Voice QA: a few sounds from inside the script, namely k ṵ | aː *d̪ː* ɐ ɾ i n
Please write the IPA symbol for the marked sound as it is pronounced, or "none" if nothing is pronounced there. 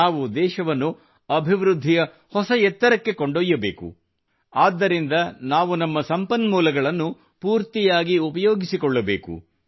d̪ː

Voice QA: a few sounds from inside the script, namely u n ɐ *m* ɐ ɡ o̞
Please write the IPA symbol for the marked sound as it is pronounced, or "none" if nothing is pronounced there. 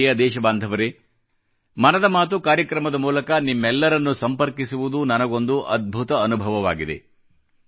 n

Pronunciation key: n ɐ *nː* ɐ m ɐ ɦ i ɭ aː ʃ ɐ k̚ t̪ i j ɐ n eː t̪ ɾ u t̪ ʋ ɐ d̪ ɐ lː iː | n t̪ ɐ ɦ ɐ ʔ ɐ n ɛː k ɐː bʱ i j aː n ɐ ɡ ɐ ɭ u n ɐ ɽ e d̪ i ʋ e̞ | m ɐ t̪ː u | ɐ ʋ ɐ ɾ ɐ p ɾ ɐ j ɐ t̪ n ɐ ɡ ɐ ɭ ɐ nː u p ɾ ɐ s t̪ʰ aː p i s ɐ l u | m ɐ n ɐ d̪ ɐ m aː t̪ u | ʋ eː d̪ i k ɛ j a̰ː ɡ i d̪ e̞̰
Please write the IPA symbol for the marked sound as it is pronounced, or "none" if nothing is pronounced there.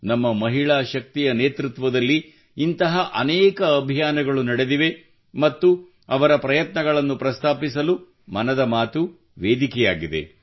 mː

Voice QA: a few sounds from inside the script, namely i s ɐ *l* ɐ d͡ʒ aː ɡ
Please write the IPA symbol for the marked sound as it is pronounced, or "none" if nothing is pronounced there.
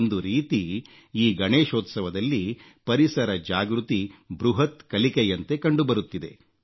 ɾ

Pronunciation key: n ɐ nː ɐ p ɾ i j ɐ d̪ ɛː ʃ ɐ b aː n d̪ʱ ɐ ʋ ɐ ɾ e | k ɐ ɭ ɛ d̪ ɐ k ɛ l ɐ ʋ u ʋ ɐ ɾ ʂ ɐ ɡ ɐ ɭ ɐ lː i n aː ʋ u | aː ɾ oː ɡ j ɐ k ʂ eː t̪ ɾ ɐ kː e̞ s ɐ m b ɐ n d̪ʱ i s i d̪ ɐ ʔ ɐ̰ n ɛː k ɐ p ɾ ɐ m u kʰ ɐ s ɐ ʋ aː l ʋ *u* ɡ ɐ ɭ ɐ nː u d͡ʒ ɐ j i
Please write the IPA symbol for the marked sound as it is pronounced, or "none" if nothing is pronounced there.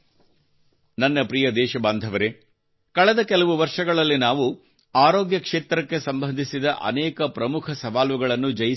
u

